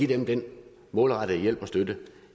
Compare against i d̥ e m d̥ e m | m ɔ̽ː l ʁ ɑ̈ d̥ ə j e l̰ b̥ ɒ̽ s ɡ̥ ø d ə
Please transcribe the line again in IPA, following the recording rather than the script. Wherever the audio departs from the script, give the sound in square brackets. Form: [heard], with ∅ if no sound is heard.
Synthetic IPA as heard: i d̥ e m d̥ e [n] | m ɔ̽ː l ʁ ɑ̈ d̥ ə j e l̰ b̥ ɒ̽ s [d̥] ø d ə

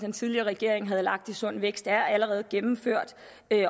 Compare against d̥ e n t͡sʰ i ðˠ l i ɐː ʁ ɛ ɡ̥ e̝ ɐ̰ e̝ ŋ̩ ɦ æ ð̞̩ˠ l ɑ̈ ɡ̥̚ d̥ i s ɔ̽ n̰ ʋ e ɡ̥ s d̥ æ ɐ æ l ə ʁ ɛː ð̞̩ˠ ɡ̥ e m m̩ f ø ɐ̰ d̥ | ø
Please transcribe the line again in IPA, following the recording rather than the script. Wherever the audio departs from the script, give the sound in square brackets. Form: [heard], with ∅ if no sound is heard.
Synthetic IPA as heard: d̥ e n t͡sʰ i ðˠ l i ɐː ʁ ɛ ɡ̥ e̝ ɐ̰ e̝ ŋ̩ ɦ æ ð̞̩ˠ l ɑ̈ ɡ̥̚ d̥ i s ɔ̽ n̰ ʋ e ɡ̥ s d̥ æ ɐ æ l ə ʁ ɛː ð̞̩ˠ ɡ̥ e m m̩ f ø ɐ̰ d̥ | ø

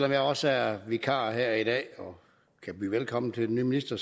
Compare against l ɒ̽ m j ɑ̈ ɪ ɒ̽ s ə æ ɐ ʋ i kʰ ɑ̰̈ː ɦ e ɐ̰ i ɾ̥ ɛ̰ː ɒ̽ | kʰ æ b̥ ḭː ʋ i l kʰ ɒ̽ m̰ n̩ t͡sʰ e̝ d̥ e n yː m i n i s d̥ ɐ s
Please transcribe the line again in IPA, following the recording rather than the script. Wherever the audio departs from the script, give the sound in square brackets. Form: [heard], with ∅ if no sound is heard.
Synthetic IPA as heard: l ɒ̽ m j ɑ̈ ɪ ɒ̽ s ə æ ɐ ʋ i kʰ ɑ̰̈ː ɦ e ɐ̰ i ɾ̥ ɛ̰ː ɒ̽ | kʰ æ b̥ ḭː ʋ [e] l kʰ ɒ̽ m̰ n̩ t͡sʰ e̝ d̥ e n yː m i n i s d̥ ɐ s

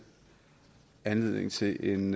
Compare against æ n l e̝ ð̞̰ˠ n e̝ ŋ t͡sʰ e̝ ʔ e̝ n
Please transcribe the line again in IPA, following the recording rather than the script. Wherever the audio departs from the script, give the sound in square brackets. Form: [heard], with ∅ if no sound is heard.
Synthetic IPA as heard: æ n l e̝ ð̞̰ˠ n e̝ ŋ t͡sʰ e̝ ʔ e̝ n

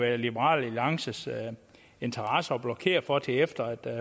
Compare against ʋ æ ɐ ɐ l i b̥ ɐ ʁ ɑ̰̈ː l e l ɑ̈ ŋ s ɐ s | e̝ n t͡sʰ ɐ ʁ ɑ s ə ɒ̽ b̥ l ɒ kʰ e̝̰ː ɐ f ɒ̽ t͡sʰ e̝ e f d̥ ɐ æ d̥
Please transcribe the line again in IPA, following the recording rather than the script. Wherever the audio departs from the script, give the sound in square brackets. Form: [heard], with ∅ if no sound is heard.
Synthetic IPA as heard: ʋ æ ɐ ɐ l i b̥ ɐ ʁ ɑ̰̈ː l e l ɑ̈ ŋ s [ə] s | e̝ n t͡sʰ ɐ ʁ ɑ s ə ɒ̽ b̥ l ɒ kʰ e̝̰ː ɐ f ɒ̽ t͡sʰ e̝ e f d̥ ɐ æ d̥

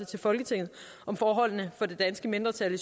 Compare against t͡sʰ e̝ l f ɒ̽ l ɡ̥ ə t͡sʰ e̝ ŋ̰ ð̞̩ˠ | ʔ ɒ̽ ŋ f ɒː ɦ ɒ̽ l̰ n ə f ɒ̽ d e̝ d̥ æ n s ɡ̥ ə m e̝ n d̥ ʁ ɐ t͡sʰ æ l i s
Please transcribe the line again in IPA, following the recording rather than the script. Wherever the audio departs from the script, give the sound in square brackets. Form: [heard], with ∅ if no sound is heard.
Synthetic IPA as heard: t͡sʰ e̝ l f ɒ̽ l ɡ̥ ə t͡sʰ e̝ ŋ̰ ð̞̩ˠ | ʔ ɒ̽ [m] f ɒː ɦ ɒ̽ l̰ n ə f ɒ̽ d e̝ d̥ æ n s ɡ̥ ə m e̝ n d̥ ʁ ɐ t͡sʰ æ l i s

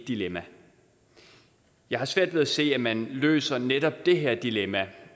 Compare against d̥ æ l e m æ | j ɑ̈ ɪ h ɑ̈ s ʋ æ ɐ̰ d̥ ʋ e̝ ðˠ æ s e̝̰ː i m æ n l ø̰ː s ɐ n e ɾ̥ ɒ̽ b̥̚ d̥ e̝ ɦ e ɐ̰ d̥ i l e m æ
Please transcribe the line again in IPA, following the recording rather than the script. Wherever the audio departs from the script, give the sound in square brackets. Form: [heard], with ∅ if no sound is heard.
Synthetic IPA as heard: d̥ [i] l e m æ | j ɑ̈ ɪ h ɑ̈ s ʋ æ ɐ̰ d̥ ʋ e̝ ðˠ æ s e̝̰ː [æ] m æ n l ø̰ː s ɐ n e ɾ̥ ɒ̽ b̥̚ d̥ e̝ ɦ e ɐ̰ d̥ i l e m æ

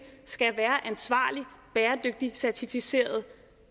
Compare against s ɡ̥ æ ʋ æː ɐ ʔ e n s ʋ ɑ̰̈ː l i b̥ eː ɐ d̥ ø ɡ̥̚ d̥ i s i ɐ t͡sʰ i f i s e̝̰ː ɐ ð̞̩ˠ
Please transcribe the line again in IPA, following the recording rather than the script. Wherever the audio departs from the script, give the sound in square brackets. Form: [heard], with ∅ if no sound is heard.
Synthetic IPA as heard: s ɡ̥ æ ʋ æː ɐ ʔ [æ] n s ʋ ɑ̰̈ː l i b̥ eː ɐ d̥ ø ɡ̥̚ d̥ i s [æ] ɐ t͡sʰ i f i s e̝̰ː ɐ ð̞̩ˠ

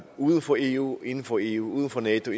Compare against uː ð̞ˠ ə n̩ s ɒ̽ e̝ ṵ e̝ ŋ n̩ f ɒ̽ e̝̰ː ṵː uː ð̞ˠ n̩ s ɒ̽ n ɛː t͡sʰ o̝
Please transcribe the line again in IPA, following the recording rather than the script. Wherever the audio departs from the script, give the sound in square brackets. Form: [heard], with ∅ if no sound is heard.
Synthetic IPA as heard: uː ð̞ˠ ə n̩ [f] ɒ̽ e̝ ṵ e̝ [n] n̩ f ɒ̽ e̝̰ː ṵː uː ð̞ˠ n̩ [f] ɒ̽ n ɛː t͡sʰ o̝

